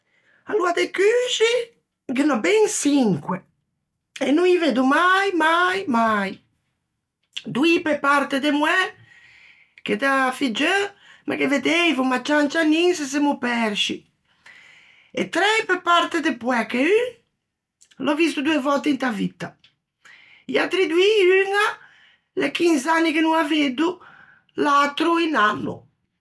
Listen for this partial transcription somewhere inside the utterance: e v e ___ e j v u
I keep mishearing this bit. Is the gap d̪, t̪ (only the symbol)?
d̪